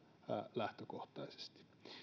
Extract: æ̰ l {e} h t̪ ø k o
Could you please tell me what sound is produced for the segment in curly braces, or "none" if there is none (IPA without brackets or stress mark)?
æ